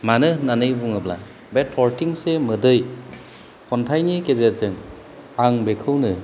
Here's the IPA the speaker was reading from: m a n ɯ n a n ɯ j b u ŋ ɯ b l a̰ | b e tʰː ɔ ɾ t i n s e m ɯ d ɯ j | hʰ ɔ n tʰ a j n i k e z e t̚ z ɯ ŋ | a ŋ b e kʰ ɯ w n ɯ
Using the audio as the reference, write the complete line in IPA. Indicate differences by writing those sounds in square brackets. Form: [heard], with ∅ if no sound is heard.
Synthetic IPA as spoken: m a n ɯ n a n ɯ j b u ŋ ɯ b l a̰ | b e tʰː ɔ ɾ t i [ŋ] s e m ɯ d ɯ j | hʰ ɔ n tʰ a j n i k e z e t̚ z ɯ ŋ | a ŋ b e kʰ ɯ w n ɯ